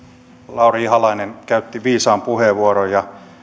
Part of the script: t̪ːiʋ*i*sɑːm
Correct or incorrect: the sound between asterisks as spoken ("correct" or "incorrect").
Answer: incorrect